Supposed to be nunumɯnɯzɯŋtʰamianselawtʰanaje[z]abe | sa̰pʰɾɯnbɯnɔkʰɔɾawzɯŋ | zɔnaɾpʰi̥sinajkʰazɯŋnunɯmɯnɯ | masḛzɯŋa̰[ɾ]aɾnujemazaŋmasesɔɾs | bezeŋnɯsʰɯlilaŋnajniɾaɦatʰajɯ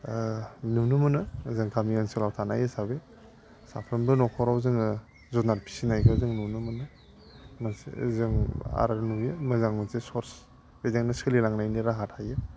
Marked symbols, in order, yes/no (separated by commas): no, yes